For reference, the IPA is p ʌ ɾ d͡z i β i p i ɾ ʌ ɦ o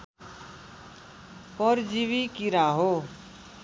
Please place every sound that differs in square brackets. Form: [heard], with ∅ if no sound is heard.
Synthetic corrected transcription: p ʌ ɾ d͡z i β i [k] i ɾ [a] ɦ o